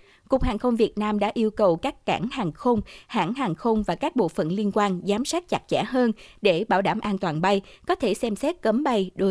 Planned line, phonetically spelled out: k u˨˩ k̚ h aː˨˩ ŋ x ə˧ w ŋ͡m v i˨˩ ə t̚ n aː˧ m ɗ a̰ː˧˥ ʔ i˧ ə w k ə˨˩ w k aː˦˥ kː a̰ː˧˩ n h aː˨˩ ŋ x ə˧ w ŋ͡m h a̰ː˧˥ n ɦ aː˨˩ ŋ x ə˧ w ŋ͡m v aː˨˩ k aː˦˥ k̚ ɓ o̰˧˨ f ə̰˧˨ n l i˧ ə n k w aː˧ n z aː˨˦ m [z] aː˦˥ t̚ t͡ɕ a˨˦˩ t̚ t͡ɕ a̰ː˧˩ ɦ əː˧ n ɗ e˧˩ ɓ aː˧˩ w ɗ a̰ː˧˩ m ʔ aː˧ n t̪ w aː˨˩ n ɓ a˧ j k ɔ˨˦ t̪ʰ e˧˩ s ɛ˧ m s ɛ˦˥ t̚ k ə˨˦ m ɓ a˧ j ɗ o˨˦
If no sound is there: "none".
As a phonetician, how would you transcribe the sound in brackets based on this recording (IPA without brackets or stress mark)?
s